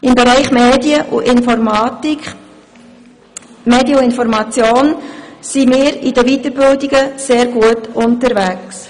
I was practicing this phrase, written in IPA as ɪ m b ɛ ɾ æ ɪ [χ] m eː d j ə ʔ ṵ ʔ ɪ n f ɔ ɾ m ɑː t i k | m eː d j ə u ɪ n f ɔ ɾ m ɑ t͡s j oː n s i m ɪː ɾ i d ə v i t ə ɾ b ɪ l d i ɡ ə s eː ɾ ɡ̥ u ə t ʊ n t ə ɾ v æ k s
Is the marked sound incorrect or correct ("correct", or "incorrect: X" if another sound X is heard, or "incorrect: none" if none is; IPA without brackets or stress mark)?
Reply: correct